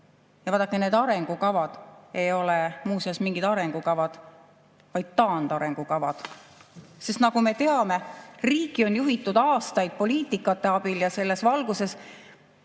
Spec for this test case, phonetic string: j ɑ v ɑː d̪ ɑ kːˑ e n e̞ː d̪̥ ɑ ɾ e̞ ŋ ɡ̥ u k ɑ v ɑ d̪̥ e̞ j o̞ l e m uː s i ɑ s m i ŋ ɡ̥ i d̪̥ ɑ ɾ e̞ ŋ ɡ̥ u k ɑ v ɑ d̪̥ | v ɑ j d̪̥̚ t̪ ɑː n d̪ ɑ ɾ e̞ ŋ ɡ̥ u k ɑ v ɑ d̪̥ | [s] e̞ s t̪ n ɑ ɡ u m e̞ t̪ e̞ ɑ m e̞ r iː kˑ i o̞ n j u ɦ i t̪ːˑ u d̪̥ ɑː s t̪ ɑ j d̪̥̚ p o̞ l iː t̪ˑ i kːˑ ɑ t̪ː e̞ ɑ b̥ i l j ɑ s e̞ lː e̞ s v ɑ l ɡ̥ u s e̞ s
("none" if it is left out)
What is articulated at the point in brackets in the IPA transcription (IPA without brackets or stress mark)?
s